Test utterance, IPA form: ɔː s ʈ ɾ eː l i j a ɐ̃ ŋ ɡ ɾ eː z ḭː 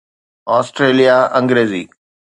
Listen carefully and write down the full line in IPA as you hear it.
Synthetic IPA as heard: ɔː s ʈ ɾ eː l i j a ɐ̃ ŋ ɡ ɾ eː z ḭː